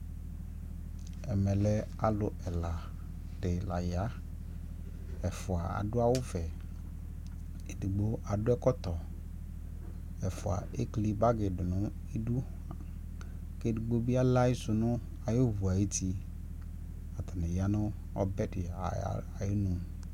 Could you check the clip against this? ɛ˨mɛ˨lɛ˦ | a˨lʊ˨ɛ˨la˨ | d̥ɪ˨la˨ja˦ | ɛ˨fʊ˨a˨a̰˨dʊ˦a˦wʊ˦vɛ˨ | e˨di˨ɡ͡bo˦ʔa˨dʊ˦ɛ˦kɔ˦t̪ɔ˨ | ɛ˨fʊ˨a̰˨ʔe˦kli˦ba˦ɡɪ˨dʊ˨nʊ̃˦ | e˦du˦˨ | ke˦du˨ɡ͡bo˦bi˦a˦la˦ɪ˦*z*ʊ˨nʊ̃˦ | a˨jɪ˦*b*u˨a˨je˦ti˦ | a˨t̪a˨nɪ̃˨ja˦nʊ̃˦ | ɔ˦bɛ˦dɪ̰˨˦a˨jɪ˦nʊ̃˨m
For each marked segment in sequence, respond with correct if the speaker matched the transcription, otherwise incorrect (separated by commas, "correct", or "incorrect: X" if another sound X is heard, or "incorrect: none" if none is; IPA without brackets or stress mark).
incorrect: s, incorrect: v